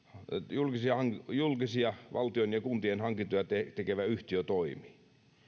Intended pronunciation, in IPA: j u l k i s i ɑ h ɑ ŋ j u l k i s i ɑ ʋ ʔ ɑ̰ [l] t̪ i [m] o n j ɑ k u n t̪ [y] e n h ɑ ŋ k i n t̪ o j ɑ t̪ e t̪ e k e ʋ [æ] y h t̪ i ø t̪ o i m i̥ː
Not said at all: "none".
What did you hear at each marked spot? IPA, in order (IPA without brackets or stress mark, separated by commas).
l, none, i, æ